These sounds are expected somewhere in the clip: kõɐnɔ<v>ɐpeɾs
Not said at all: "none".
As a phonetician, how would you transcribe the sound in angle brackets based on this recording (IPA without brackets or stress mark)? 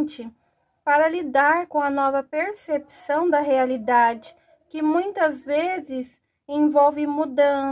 v